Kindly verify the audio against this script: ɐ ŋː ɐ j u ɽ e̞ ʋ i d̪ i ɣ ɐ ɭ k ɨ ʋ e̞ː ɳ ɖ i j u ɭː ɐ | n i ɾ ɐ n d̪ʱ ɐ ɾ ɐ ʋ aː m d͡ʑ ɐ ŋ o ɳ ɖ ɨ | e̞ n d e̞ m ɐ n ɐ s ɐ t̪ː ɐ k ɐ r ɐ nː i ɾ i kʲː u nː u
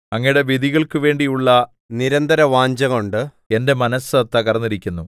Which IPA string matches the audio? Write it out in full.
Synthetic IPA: ɐ ŋː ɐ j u ɽ e̞ ʋ i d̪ i ɣ ɐ ɭ k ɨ ʋ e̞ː ɳ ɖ i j u ɭː ɐ | n i ɾ ɐ n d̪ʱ ɐ ɾ ɐ ʋ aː ɲ d͡ʑ ɐ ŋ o ɳ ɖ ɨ | e̞ n d e̞ m ɐ n ɐ s ɐ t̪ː ɐ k ɐ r ɐ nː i ɾ i kʲː u nː u